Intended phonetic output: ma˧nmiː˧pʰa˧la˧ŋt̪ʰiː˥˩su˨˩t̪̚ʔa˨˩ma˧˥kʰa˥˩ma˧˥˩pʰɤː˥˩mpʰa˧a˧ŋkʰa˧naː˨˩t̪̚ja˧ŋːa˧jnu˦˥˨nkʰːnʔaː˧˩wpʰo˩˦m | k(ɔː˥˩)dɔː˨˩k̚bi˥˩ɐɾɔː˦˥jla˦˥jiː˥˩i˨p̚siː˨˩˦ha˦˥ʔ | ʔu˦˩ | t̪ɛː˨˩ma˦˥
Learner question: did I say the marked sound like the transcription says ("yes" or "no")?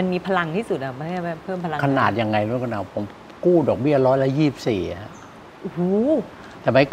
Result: no